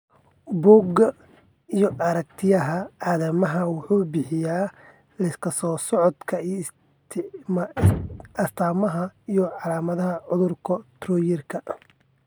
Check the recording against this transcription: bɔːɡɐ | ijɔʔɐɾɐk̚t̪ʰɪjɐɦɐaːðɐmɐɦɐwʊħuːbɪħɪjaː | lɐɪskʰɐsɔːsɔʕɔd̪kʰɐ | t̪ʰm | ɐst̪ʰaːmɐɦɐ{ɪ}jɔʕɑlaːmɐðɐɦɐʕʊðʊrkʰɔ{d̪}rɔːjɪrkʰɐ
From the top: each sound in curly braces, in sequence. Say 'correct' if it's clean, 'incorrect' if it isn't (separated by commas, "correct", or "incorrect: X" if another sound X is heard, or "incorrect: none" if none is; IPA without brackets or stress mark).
incorrect: i, incorrect: t̪